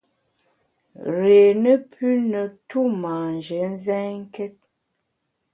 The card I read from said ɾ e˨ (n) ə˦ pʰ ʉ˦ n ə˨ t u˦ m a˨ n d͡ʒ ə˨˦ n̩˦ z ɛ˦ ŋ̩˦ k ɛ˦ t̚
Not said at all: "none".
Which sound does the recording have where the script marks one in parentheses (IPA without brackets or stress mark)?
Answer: n